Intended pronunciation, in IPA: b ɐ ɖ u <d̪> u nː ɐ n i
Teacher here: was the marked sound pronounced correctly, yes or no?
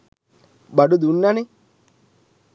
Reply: yes